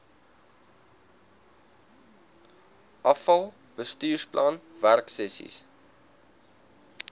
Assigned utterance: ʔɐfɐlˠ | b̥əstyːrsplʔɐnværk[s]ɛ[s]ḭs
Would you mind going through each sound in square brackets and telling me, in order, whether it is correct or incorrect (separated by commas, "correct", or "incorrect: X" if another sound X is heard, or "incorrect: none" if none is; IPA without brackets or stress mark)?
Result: correct, correct